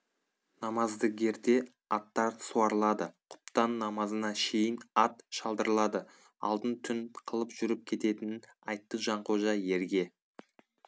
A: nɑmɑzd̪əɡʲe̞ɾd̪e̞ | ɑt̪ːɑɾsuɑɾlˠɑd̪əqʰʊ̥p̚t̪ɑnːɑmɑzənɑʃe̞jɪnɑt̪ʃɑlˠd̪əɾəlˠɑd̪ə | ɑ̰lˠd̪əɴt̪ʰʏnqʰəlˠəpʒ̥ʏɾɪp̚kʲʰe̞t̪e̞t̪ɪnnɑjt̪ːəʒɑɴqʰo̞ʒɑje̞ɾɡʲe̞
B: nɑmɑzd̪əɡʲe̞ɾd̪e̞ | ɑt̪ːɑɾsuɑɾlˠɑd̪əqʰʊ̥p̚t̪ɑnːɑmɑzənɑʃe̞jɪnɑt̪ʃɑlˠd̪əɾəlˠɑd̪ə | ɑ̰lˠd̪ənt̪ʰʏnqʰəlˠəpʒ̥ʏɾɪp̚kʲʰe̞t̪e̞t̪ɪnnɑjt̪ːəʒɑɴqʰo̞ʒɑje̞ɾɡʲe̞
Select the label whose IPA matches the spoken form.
B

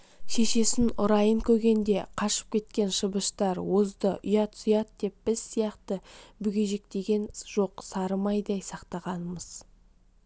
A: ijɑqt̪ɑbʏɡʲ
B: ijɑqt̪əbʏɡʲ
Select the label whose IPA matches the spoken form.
B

